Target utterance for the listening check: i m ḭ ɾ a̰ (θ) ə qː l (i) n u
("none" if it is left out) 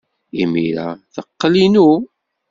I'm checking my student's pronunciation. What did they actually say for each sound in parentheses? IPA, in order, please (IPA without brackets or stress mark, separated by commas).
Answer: θ, i